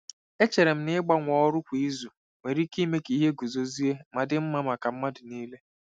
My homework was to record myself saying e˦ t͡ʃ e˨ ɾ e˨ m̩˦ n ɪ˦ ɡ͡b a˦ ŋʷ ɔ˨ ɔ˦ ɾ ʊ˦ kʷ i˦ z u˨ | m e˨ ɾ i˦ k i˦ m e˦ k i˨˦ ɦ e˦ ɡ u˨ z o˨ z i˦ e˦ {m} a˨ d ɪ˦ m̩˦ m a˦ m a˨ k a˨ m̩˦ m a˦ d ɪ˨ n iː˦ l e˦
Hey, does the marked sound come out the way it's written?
yes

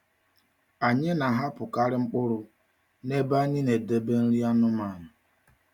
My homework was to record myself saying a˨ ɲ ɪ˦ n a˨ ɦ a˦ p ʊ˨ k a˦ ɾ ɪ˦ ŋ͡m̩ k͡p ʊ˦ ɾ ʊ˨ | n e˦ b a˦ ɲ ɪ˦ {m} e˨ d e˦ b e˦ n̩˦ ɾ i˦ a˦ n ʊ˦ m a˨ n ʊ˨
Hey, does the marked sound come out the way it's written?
no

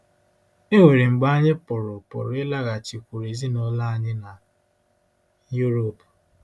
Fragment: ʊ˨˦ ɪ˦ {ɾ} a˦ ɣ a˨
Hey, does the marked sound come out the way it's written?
no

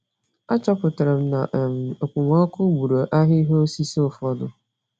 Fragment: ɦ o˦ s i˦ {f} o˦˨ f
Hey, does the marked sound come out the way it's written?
no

